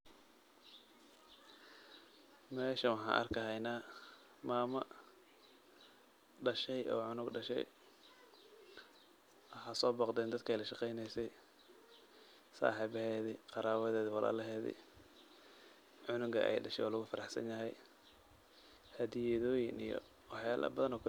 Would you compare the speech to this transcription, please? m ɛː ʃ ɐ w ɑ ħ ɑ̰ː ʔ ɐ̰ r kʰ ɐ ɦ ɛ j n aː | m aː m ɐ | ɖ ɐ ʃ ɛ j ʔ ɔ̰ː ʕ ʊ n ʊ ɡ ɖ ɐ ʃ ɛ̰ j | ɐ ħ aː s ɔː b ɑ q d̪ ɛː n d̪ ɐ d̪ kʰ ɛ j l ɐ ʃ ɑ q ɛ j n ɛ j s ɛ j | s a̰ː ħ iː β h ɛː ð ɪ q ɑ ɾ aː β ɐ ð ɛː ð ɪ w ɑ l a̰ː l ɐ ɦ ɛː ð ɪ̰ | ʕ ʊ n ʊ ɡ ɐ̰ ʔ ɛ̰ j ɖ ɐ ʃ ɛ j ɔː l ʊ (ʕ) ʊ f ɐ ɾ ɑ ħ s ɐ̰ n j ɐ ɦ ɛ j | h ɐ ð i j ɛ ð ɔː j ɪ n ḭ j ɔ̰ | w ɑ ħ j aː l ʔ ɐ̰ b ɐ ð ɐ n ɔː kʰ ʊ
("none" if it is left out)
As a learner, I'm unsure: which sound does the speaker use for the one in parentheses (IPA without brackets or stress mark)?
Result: ɣ